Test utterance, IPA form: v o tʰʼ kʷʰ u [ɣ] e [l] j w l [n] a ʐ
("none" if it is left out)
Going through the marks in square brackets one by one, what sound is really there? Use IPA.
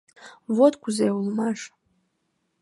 z, none, m

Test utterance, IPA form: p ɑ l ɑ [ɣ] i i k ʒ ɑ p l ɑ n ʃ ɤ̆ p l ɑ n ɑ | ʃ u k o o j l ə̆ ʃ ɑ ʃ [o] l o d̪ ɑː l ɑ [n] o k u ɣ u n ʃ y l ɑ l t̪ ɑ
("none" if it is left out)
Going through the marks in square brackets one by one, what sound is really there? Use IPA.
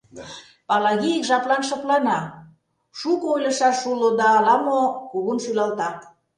ɣ, u, m

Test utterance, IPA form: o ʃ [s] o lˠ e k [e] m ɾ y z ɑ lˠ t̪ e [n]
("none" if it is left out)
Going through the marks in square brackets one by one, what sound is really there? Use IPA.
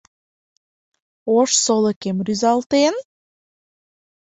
s, e, n

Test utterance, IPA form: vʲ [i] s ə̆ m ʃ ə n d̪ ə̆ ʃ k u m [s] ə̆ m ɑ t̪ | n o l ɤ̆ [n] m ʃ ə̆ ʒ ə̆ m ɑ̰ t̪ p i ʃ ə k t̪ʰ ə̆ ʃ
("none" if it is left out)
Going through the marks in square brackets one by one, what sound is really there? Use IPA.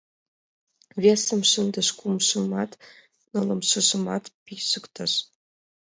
e, ʃ, none

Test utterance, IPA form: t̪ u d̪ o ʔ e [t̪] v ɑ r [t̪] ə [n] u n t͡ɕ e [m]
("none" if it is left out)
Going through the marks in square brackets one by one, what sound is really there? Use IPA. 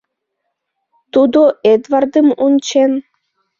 d̪, d̪, m, n

